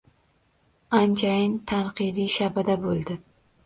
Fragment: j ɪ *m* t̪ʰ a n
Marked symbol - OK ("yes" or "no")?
no